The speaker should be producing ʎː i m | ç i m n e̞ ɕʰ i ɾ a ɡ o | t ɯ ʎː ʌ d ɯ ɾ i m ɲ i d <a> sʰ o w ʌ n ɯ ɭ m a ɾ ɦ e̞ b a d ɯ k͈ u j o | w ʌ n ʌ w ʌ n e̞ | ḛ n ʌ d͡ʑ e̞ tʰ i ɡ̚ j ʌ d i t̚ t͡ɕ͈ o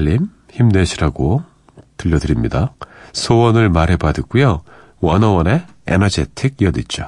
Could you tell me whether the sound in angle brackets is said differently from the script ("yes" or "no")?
no